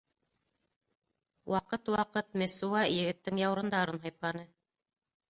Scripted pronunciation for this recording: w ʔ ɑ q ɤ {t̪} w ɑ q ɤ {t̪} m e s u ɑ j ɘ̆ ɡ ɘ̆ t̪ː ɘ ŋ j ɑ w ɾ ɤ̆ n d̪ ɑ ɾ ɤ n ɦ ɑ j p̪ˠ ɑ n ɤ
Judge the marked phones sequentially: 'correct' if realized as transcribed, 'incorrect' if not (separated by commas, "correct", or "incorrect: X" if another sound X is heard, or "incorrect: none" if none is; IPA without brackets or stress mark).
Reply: correct, correct